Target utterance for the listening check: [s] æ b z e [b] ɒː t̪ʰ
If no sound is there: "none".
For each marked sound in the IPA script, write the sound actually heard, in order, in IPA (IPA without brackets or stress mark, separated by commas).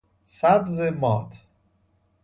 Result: s, m